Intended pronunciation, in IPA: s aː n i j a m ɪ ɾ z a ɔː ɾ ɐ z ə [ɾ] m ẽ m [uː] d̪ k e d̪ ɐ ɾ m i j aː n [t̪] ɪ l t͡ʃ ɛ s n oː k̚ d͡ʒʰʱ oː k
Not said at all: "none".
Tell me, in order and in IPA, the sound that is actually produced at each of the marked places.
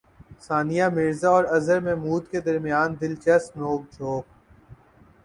ɾ, uː, d̪

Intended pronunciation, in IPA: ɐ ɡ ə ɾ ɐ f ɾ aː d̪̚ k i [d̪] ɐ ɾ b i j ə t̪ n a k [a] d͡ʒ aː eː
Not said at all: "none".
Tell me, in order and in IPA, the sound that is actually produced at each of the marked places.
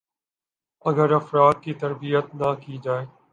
t̪, i

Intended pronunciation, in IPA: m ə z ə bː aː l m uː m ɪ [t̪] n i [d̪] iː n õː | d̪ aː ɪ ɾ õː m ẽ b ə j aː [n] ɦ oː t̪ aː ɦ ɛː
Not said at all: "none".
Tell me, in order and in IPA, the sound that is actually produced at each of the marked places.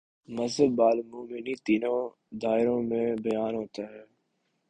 none, t̪, n

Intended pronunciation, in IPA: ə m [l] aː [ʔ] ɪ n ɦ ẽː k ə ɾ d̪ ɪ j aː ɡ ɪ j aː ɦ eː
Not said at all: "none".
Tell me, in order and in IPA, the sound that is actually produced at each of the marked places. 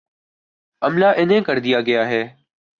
l, ʔ

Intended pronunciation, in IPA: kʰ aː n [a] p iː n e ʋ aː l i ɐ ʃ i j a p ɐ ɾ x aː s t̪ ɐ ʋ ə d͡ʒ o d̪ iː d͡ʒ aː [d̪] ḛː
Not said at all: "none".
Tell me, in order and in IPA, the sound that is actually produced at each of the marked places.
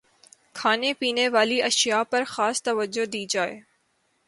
e, none

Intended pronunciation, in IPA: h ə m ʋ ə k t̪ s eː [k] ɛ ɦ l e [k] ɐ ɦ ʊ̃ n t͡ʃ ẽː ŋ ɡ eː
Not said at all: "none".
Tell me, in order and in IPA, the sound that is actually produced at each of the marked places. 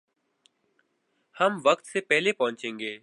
p, p

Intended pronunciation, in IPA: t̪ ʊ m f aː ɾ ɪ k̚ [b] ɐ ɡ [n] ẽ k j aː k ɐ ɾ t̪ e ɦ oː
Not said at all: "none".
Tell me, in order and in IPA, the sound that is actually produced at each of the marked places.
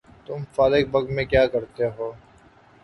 b, m

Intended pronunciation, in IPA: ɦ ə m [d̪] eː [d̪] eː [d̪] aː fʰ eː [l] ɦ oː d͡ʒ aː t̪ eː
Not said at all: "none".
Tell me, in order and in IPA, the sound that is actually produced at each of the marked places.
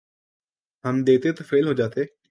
d̪, t̪, t̪, l

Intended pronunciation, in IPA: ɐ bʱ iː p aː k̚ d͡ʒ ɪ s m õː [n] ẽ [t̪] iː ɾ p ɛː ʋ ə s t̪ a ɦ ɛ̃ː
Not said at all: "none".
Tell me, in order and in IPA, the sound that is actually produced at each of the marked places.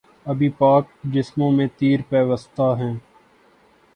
m, t̪

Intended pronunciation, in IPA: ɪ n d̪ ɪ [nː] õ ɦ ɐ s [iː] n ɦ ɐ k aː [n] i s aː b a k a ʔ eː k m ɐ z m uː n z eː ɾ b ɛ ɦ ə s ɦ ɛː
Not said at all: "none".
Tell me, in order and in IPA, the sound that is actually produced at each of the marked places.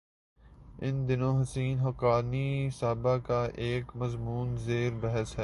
n, iː, n

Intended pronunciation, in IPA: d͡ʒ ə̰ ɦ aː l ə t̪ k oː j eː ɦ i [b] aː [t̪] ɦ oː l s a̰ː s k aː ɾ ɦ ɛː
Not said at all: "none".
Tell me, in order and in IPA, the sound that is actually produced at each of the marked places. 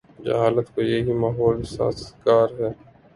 m, none

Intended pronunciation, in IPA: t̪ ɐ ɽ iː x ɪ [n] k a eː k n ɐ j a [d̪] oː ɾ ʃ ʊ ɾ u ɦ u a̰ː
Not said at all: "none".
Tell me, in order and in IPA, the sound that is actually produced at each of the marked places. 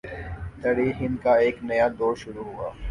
n, d̪

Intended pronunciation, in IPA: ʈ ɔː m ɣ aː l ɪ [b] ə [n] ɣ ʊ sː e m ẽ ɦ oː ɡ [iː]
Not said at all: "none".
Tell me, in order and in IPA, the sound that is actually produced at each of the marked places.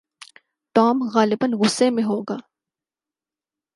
b, n, aː

